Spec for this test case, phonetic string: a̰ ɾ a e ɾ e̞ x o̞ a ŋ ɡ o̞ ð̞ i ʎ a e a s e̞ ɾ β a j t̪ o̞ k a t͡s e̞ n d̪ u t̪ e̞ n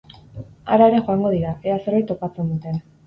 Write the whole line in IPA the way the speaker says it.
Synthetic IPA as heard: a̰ ɾ a e ɾ e̞ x o̞ a ŋ ɡ o̞ ð̞ i ɾ a e a s e̞ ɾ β a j t̪ o̞ p a t͡s e̞ n d̪ u t̪ e̞ n